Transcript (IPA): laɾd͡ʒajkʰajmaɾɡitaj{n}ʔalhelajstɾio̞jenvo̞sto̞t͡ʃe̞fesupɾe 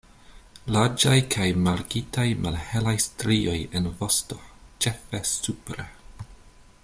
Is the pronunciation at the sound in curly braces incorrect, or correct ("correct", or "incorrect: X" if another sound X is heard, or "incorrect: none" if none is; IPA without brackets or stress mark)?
incorrect: m